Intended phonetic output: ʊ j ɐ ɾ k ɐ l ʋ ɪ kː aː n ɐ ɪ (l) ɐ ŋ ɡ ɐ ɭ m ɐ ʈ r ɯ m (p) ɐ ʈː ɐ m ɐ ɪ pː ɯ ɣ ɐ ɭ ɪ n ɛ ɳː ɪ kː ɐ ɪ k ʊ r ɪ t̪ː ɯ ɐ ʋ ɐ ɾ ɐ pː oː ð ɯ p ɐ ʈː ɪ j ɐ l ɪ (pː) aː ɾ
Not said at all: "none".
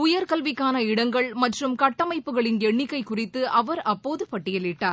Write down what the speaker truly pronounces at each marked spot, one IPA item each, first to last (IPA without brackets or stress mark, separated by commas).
ɽ, k, ʈː